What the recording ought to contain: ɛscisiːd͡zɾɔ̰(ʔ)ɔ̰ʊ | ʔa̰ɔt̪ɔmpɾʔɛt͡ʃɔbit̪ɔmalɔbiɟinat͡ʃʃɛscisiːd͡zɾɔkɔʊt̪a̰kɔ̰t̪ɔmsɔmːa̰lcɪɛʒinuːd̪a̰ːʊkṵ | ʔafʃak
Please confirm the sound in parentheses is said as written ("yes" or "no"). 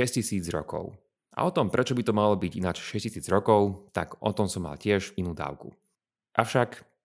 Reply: no